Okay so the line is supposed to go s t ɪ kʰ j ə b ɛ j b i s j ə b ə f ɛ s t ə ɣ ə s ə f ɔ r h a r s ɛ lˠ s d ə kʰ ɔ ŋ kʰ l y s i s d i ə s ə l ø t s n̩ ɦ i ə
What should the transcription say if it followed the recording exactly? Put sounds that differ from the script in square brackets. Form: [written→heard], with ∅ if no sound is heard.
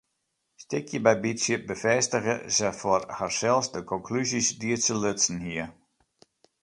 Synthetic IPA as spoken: s t ɪ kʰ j ə b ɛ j b i s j ə b ə f ɛ s t ə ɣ ə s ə f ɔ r h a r s ɛ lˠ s d ə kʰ ɔ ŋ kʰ l y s i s d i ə s ə l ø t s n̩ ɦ i ə

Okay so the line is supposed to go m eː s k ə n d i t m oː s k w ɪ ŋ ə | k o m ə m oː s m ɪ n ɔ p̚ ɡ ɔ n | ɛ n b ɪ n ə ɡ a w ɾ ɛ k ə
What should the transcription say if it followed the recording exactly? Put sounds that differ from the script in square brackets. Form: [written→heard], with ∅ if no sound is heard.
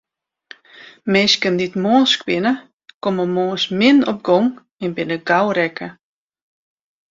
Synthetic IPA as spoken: m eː s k ə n d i t m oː s k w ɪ [ŋ→n] ə | k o m ə m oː s m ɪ n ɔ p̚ ɡ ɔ [n→ŋ] | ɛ n b ɪ n ə ɡ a w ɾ ɛ k ə

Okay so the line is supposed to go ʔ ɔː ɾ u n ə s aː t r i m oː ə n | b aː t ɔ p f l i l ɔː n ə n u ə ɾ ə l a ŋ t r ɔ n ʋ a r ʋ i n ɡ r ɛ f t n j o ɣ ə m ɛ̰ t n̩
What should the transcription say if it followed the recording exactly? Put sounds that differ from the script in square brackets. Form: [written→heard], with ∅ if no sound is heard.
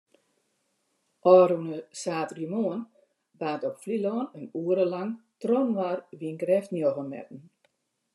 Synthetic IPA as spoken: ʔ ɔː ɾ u n ə s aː t r i m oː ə n | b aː t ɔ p f l i l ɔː n ə n u ə ɾ ə l a ŋ t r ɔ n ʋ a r ʋ i n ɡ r ɛ f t n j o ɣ ə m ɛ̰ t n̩

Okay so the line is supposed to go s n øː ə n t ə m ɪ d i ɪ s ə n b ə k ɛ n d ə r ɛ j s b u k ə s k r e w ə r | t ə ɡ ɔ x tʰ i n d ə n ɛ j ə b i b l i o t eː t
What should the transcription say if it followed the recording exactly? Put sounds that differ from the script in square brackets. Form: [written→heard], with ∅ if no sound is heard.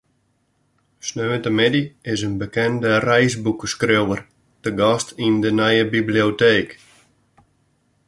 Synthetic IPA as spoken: s n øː ə n t ə m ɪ d i ɪ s ə n b ə k ɛ n d ə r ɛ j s b u k ə s k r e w ə r | t ə ɡ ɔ [x→s] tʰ i n d ə n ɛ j ə b i b l i o t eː [t→k]

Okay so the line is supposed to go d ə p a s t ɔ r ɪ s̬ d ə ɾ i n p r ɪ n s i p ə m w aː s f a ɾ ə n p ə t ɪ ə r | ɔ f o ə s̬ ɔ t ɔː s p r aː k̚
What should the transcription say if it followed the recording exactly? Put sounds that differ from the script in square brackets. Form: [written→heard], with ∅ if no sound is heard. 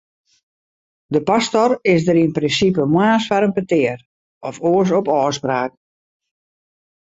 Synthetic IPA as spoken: d ə p a s t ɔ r ɪ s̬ d ə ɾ i n p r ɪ n s i p ə m w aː s f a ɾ ə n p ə t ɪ ə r | ɔ f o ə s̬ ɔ [t→p] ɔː s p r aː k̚

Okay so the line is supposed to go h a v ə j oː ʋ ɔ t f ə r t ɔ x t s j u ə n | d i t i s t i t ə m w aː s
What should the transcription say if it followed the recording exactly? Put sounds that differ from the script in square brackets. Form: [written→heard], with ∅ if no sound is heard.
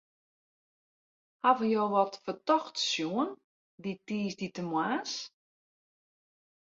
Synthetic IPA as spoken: h a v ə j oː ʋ ɔ t f ə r t ɔ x t s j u ə n | d i t [i→iː] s [t→d] i t ə m w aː s

